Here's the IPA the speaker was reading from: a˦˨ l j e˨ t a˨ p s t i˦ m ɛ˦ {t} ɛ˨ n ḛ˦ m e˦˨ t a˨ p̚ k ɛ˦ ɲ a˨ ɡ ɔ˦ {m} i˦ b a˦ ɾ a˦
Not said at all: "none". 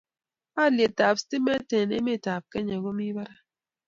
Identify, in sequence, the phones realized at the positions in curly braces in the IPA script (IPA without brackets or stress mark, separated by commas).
t, m